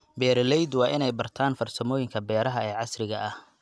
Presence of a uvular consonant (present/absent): absent